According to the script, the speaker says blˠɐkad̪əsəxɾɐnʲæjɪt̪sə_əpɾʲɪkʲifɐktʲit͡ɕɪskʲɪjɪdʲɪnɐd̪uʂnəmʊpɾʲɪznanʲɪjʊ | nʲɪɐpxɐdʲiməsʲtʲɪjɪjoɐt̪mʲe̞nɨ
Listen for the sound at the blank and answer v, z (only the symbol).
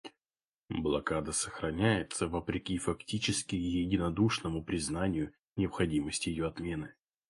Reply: v